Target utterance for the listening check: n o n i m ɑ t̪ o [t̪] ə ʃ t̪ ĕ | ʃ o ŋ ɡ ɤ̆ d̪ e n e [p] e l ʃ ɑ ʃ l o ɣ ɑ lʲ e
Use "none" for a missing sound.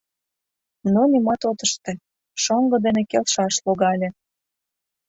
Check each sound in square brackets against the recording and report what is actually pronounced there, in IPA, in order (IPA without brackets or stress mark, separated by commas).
t̪, k